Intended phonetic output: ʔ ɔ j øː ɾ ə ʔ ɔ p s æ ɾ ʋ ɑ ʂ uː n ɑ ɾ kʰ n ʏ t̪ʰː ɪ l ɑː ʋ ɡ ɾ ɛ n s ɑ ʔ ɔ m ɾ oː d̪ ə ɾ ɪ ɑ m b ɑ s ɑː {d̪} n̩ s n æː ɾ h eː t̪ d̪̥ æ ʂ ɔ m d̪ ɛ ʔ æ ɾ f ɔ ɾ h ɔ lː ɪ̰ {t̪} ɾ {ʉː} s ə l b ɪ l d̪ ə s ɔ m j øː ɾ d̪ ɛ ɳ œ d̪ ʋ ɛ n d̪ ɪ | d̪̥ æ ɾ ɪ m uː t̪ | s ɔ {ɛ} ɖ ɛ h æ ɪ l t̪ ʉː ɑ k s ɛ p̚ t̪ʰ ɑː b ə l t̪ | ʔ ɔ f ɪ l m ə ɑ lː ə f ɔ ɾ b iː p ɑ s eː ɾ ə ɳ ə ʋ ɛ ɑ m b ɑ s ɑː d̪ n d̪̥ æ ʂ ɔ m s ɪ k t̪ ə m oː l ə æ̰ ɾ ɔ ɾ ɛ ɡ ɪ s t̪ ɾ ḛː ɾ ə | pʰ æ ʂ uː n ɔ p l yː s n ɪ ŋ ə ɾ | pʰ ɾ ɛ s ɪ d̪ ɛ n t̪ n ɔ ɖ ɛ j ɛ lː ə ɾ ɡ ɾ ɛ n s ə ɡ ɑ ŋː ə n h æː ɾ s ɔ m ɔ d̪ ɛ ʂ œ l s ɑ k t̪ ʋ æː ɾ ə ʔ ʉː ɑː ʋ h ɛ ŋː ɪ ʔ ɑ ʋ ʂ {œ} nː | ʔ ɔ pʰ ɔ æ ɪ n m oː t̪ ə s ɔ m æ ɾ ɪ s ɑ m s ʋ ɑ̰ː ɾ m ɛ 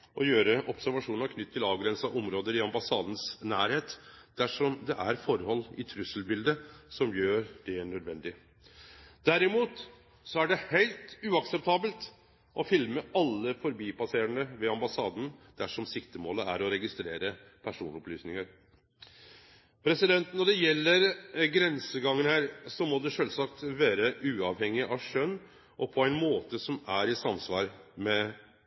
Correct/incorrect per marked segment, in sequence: correct, incorrect: t̪ʰ, incorrect: ʉ, incorrect: æ, correct

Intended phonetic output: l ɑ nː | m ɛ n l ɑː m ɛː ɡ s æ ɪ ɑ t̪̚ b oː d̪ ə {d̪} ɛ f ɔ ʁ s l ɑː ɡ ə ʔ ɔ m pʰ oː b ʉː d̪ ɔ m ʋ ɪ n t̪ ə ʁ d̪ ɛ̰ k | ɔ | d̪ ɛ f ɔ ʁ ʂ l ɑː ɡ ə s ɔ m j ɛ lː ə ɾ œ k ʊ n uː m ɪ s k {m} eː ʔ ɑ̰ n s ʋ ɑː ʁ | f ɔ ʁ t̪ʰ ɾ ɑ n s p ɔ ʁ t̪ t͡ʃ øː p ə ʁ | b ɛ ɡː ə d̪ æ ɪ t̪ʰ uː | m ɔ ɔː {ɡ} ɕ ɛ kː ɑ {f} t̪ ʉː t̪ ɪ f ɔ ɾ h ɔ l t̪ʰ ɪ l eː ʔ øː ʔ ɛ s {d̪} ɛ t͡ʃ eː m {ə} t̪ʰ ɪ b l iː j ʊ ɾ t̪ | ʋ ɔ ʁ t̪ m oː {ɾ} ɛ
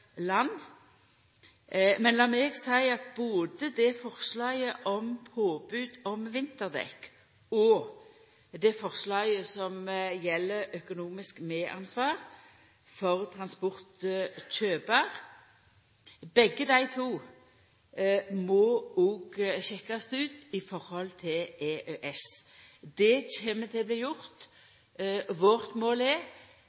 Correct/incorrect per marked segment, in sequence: correct, correct, correct, incorrect: s, correct, correct, incorrect: l

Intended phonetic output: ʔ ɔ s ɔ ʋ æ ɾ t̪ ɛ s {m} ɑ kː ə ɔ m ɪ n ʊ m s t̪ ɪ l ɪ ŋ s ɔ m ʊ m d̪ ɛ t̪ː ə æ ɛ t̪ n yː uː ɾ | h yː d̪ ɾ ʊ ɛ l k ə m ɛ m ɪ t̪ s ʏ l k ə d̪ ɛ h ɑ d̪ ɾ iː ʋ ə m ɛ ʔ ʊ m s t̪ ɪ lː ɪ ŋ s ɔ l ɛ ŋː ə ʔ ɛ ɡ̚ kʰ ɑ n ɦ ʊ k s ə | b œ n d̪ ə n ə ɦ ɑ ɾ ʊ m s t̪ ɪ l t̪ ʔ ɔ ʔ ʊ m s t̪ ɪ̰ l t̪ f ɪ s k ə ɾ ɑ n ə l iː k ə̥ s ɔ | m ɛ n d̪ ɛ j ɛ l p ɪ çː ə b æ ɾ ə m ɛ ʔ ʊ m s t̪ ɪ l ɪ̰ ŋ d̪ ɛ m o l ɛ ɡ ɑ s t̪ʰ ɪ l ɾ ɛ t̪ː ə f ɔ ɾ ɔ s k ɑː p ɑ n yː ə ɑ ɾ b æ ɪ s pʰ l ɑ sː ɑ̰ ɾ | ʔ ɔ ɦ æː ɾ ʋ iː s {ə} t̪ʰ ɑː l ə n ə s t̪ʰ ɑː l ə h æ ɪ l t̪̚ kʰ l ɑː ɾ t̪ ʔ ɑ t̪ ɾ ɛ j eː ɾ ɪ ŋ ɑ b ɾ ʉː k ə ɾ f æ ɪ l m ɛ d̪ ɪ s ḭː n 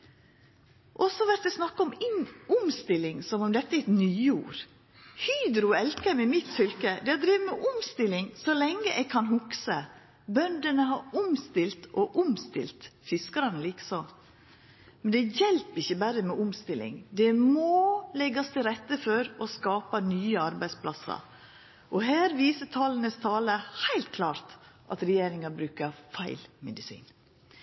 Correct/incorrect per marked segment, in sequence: incorrect: n, correct

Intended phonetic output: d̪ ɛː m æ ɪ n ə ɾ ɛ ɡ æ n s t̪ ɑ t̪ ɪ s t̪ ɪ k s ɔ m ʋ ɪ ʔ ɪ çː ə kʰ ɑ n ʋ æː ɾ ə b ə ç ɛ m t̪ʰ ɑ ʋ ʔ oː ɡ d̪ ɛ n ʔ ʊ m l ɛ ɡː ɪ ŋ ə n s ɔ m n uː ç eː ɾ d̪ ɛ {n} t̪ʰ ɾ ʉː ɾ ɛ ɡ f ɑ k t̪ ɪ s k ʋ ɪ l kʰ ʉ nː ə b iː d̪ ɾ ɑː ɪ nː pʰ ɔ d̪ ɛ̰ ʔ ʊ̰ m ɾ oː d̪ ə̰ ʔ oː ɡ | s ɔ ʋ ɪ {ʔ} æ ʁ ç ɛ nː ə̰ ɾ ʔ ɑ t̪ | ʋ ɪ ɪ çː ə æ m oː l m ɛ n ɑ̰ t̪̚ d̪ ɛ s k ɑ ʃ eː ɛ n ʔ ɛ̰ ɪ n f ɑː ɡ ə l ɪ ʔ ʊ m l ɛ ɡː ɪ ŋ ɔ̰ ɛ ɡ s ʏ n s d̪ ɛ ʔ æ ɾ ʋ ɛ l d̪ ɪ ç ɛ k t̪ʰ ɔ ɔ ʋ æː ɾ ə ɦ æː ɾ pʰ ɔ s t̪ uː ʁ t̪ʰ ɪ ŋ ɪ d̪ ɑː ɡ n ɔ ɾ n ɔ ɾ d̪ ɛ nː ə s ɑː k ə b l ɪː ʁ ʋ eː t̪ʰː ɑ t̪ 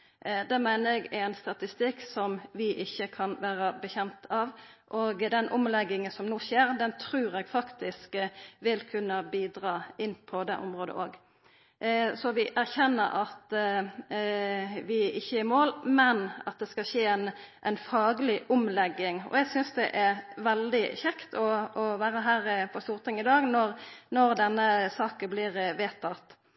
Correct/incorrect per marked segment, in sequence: correct, correct

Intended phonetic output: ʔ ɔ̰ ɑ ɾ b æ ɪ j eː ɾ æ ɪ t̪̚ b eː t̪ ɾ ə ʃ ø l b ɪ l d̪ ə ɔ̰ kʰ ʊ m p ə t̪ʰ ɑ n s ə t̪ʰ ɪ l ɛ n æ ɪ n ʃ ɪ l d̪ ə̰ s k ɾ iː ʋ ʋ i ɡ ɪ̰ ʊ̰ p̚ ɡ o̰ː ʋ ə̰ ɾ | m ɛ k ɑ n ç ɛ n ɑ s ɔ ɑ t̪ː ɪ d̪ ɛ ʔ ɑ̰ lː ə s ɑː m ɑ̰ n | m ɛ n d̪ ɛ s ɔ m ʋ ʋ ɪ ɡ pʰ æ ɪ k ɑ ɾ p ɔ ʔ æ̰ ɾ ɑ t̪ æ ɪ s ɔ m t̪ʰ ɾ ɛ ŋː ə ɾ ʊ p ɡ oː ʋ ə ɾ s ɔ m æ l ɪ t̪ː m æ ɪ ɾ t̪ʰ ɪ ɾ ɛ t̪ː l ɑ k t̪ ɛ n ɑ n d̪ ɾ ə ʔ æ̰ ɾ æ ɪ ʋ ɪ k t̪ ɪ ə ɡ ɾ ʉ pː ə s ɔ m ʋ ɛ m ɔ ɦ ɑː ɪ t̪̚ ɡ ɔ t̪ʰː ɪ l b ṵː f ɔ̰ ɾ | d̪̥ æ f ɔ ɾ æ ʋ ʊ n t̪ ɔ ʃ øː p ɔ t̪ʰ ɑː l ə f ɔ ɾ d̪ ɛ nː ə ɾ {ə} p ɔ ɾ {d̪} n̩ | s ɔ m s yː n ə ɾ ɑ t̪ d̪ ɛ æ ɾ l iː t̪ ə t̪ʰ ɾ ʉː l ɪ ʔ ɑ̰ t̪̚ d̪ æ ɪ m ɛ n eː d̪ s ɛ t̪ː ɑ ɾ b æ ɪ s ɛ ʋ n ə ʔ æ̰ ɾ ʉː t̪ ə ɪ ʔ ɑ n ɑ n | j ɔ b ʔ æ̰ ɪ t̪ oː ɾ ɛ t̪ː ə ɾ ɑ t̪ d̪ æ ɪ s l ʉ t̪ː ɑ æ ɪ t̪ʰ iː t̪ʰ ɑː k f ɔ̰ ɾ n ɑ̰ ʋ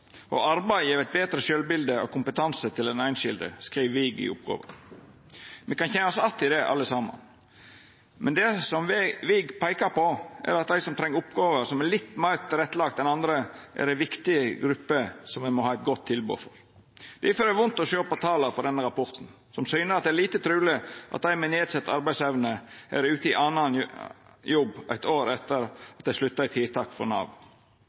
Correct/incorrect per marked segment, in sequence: incorrect: ɑ, incorrect: t̪

